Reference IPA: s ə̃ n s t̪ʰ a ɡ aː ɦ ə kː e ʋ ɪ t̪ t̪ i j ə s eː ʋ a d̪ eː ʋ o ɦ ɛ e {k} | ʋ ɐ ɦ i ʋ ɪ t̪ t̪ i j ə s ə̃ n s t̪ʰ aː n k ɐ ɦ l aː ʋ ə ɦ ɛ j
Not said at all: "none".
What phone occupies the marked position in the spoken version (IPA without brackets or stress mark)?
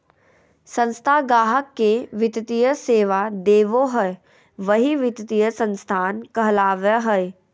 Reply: none